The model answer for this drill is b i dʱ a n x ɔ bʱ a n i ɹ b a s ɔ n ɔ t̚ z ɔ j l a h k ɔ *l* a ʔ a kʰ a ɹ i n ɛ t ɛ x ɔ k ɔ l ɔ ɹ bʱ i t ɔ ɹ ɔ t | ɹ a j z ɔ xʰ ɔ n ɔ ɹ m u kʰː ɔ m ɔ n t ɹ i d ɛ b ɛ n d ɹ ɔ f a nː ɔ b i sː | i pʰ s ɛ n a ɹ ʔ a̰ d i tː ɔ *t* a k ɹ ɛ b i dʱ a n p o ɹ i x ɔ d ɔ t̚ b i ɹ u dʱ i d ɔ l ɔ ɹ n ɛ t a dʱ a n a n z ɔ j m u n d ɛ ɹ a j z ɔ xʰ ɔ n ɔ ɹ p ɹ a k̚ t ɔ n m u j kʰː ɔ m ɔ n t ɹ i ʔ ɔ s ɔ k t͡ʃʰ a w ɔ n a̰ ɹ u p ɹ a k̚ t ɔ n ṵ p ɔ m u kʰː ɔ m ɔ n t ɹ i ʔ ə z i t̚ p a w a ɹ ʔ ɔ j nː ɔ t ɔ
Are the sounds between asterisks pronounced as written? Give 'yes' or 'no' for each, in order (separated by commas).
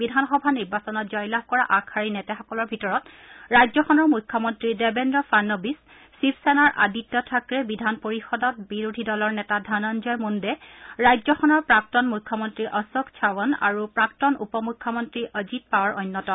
no, no